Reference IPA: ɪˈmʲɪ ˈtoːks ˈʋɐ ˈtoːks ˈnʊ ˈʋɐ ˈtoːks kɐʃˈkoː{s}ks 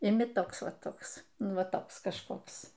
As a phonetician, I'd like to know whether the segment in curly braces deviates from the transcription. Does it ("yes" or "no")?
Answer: yes